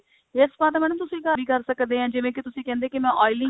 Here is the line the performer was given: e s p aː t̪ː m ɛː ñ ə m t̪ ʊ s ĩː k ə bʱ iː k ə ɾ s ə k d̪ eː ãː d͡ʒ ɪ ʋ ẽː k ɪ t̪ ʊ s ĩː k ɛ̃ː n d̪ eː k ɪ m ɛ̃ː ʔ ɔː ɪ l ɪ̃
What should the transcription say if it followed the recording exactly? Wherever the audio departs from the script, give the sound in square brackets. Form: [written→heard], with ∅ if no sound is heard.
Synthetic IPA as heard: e s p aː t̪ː m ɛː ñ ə m t̪ ʊ s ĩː k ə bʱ iː k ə ɾ s ə k d̪ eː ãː d͡ʒ ɪ ʋ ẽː k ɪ t̪ ʊ s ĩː k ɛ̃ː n d̪ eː k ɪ m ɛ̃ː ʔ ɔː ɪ l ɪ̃

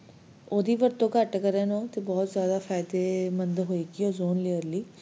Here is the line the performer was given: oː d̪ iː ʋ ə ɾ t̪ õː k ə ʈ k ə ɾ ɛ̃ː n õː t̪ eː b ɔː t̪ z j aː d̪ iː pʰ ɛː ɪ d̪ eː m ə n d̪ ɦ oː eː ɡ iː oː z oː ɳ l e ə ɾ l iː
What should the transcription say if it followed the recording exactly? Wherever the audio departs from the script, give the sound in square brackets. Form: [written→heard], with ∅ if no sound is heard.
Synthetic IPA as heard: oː d̪ iː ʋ ə ɾ t̪ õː k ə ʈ k ə ɾ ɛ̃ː n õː t̪ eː b ɔː t̪ z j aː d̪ [iː→aː] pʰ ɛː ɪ d̪ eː m ə n d̪ ɦ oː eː ɡ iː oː z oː [ɳ→n] l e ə ɾ l iː

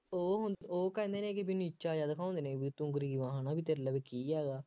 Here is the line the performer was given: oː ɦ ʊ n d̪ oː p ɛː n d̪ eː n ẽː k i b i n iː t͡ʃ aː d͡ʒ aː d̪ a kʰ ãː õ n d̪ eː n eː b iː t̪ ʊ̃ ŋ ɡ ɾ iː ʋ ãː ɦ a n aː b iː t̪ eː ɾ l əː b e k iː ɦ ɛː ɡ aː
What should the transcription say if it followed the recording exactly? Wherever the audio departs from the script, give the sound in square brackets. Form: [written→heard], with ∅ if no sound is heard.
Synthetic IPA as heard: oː ɦ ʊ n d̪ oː [p→k] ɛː n d̪ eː n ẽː k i b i n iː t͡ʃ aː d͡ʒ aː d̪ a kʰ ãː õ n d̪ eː n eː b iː t̪ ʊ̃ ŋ ɡ ɾ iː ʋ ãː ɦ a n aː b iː t̪ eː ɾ l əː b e k iː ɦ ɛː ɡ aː

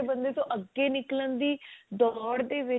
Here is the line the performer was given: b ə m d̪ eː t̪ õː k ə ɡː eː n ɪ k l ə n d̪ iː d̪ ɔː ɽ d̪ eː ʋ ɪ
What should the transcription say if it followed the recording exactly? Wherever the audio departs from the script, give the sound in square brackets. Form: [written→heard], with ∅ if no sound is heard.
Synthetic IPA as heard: b ə [m→n] d̪ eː t̪ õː [k→ʔ] ə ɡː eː n ɪ k l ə n d̪ iː d̪ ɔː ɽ d̪ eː ʋ ɪ

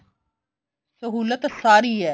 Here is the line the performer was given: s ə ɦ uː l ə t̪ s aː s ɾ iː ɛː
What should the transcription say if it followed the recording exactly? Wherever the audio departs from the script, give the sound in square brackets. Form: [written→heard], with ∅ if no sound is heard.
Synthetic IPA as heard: s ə ɦ uː l ə t̪ s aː [s→∅] ɾ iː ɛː

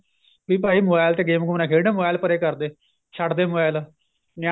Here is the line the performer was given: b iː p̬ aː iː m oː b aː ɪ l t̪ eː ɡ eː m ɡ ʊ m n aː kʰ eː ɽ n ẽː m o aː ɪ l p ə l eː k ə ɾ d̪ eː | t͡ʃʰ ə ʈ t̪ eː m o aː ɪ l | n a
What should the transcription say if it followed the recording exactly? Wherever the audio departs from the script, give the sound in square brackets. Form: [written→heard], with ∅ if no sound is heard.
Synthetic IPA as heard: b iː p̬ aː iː m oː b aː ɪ l t̪ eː ɡ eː m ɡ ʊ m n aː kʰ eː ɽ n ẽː m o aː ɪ l p ə [l→ɾ] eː k ə ɾ d̪ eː | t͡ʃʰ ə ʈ [t̪→d̪] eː m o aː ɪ l | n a

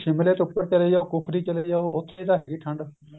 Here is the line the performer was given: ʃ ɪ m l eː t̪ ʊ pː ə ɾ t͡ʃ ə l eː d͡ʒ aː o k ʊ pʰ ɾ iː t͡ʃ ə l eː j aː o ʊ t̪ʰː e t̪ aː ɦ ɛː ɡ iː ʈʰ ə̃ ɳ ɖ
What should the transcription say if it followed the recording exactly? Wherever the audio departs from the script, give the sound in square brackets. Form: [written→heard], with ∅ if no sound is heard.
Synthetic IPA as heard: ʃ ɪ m l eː t̪ ʊ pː ə ɾ t͡ʃ ə l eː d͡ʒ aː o k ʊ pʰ ɾ iː t͡ʃ ə l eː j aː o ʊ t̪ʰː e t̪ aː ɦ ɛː ɡ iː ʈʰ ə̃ ɳ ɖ

